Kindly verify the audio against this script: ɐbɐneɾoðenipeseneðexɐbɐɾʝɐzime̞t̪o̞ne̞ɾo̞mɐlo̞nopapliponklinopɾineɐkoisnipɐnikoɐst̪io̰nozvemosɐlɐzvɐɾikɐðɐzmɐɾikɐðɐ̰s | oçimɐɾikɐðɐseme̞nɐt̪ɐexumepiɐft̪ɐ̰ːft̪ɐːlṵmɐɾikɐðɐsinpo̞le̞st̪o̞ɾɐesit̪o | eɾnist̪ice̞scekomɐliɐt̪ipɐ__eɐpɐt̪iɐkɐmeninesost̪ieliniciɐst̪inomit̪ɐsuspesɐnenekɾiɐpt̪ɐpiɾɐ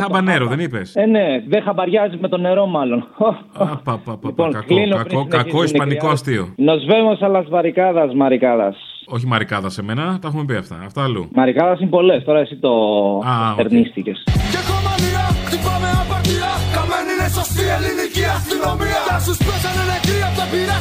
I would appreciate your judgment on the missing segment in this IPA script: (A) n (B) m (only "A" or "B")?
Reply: B